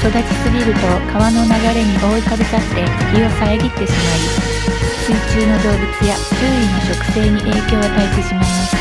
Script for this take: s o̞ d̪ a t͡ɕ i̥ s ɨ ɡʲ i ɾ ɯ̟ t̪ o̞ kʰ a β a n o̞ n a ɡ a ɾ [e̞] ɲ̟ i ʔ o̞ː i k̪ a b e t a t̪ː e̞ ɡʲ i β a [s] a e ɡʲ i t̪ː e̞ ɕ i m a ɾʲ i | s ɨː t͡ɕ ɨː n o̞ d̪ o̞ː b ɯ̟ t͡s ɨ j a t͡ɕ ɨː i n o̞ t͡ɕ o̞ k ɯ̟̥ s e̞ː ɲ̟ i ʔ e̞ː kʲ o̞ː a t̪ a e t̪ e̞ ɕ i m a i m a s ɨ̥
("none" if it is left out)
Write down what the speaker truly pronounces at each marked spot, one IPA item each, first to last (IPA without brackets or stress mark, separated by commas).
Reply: e̞, s